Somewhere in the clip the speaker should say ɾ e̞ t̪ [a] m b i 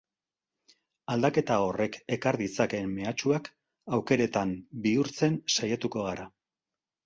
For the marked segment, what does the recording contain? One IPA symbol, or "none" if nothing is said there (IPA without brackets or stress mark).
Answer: a